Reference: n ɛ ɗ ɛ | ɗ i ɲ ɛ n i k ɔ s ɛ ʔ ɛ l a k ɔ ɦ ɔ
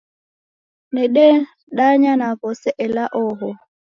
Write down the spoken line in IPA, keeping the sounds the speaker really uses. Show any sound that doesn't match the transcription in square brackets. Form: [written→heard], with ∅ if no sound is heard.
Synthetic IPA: n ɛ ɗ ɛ | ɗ [i→a] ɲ [ɛ→a] n [i→a] k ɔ s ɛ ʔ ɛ l a [k→ʔ] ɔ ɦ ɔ